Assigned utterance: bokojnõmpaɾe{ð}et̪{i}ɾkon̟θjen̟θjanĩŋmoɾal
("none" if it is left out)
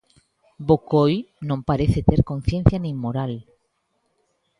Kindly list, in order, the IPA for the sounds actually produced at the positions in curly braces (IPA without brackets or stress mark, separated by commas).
θ, e